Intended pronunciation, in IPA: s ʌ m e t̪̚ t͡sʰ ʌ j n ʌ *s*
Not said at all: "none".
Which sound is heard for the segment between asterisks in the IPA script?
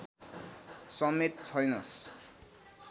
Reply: s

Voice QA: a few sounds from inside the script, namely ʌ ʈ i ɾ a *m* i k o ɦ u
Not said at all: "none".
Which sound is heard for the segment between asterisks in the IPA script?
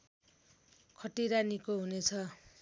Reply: n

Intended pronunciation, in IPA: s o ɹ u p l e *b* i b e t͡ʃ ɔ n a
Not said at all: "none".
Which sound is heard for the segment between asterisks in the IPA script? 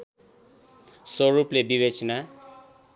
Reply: b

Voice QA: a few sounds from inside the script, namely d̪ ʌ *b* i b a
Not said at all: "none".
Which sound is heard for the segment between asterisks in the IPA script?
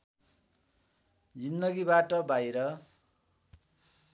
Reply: ɡ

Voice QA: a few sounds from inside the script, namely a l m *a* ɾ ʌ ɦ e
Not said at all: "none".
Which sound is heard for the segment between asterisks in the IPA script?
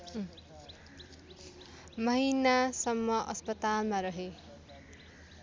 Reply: a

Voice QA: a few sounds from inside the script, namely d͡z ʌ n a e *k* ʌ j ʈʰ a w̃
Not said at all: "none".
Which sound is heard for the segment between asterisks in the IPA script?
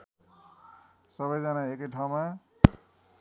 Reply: k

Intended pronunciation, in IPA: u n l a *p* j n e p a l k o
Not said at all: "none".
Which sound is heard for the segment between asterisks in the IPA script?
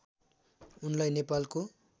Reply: none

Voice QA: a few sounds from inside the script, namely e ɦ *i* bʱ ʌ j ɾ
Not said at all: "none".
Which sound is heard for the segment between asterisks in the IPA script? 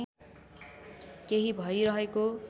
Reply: i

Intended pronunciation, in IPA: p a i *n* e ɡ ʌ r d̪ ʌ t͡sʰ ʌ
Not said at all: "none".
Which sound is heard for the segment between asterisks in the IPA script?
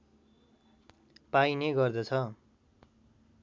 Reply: n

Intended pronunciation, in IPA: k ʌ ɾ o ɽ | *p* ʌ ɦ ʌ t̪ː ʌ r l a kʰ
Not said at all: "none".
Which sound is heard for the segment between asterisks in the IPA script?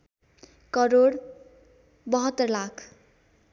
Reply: b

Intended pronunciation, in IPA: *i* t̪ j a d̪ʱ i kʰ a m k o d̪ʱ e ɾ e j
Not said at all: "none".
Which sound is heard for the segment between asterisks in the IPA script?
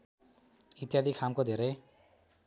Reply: i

